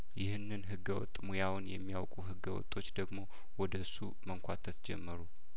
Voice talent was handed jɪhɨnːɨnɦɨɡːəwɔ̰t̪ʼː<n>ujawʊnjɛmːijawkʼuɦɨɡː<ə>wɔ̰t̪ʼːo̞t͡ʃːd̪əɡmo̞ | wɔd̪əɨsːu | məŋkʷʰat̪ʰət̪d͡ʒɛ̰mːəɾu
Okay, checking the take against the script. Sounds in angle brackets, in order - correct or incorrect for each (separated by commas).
incorrect, correct